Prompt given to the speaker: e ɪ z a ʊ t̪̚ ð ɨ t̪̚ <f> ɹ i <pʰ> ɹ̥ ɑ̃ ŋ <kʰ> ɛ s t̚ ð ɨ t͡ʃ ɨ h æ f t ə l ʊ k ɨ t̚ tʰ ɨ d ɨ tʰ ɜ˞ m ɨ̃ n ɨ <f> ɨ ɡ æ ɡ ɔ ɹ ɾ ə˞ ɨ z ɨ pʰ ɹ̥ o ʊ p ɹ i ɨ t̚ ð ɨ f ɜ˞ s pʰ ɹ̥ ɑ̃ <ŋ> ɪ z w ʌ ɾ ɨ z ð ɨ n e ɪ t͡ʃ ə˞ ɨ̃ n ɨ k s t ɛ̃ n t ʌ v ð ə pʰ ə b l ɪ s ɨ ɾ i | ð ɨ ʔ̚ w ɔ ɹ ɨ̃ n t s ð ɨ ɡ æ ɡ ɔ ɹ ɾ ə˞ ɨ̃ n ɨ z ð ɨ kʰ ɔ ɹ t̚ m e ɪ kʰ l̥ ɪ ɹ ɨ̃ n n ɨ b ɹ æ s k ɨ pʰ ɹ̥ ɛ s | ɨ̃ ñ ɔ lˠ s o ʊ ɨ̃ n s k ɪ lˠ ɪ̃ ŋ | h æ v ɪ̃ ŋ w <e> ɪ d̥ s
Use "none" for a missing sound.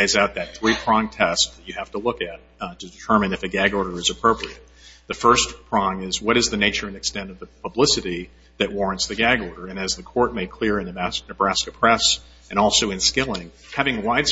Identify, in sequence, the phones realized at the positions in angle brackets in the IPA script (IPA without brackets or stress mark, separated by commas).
θ, pʰ, tʰ, f, ŋ, a